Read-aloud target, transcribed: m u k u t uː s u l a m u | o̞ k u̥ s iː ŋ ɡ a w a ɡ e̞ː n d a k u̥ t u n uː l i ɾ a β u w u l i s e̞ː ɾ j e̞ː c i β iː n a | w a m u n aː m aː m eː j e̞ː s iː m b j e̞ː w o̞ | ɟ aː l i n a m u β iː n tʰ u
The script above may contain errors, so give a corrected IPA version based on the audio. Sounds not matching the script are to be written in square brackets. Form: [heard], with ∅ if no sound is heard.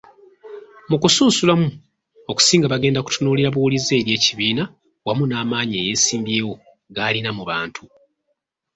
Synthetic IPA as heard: m u k u [s] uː s u l a m u | o̞ k u̥ s iː ŋ ɡ a [β] a ɡ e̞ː n d a k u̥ t u n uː l i ɾ a β u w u l i [z] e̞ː ɾ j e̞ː c i β iː n a | w a m u n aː m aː [ɲ] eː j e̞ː s iː m b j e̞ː w o̞ | [ɡ] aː l i n a m u β [aː] n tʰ u